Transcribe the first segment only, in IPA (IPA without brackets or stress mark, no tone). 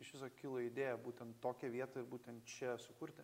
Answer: ɪ